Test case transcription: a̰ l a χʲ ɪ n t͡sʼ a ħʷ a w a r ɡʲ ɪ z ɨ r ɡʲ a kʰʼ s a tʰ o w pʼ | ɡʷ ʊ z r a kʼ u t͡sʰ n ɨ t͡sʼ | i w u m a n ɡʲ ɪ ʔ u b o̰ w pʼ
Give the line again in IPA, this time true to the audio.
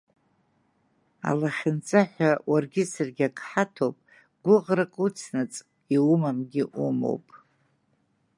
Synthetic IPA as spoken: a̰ l a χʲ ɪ n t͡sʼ a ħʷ a w a r ɡʲ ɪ s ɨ r ɡʲ a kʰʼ ħ a tʰ o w pʼ | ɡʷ ʊ ʁ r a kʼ u t͡sʰ n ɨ t͡sʼ | i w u m a m ɡʲ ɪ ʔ u m o̰ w pʼ

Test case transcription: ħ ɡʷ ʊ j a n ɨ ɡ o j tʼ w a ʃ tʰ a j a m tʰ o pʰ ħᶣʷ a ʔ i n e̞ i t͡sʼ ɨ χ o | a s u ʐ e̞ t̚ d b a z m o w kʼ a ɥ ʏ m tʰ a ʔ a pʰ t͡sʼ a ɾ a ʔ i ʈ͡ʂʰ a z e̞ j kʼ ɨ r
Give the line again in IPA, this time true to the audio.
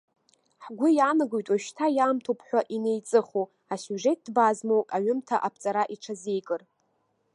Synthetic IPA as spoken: ħ ɡʷ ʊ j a n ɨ ɡ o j tʼ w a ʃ tʰ a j a m tʰ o pʰ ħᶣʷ a ʔ i n e̞ j t͡sʼ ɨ χ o | a s u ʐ e̞ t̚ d b a z m o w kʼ a ɥ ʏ m tʰ a ʔ a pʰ t͡sʼ a ɾ a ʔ i ʈ͡ʂʰ a z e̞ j kʼ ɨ r

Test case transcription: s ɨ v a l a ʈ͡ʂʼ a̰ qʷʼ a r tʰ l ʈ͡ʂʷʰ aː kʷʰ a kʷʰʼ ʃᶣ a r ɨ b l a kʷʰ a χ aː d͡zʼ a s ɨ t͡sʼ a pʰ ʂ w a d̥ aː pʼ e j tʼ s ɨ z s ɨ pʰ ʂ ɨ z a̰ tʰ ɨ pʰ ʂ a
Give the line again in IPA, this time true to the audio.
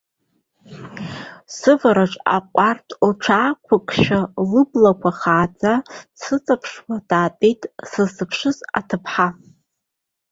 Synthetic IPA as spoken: s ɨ v a ɾ a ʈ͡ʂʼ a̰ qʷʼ a r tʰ l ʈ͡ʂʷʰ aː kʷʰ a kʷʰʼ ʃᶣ a l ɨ b l a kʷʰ a χ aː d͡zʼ a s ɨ t͡sʼ a pʰ ʂ w a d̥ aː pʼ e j tʼ s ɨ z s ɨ pʰ ʂ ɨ z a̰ tʰ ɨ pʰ ħ a

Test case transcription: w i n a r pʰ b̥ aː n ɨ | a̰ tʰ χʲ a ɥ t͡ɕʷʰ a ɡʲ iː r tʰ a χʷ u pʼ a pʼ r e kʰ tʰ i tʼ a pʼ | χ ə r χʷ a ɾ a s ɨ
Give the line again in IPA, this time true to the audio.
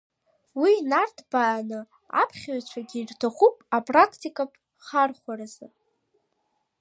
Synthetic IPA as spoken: w i n a r tʰ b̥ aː n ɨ | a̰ pʰ χʲ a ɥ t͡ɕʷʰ a ɡʲ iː r tʰ a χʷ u pʼ a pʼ r a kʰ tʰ i kʼ a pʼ | χ a r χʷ a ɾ a z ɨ

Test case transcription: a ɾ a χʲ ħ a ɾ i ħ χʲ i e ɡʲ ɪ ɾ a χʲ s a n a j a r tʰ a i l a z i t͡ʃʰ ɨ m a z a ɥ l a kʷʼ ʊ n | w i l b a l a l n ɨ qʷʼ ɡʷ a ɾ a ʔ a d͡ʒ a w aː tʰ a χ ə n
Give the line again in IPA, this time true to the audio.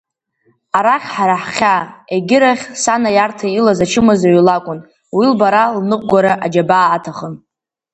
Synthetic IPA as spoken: a ɾ a χʲ ħ a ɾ a ħ χʲ a e ɡʲ ɪ ɾ a χʲ s a n a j a r tʰ a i l a z a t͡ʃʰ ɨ m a z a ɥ l a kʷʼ ʊ n | w i l b a ɾ a l n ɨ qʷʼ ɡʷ a ɾ a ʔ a d͡ʒ a b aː tʰ a χ ə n

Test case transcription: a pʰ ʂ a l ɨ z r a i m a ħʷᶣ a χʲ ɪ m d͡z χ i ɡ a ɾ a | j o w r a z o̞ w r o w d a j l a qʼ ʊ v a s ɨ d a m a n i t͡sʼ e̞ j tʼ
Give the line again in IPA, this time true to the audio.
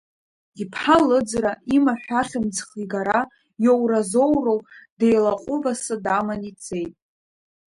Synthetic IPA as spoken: i pʰ ħ a l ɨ d͡z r a i m a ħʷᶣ a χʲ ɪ m d͡z χ i ɡ a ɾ a | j o w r a z o̞ w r o w d e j l a qʼ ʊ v a s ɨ d a m a n i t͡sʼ e̞ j tʼ

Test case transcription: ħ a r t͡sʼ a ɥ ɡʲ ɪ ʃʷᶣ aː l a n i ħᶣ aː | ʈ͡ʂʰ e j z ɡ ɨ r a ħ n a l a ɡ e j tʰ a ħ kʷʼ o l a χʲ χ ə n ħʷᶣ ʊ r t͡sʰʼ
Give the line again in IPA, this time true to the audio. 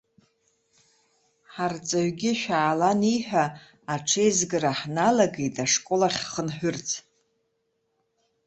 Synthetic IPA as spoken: ħ a r t͡sʼ a ɥ ɡʲ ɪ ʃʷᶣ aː l a n i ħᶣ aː | ʈ͡ʂʰ e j z ɡ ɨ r a ħ n a l a ɡ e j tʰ a ʂ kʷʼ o l a χʲ χ ə n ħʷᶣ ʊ r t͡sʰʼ

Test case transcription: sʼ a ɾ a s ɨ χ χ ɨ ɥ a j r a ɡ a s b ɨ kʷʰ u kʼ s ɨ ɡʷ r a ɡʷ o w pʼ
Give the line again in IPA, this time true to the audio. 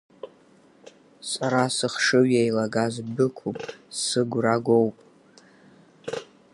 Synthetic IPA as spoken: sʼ a ɾ a s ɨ χ ʂ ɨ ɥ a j l a ɡ a z b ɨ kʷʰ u pʼ s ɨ ɡʷ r a ɡʷ o w pʼ

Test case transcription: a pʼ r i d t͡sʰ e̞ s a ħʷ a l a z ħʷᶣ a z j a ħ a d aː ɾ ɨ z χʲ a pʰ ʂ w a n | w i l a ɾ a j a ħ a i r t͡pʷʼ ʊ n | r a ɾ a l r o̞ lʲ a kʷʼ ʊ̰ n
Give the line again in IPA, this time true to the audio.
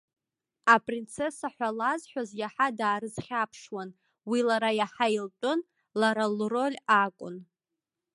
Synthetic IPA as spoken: a pʼ r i n t͡sʰ e̞ s a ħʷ a l a z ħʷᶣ a z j a ħ a d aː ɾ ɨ z χʲ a pʰ ʂ w a n | w i l a ɾ a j a ħ a i l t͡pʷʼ ʊ n | l a ɾ a l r o̞ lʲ a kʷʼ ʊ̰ n

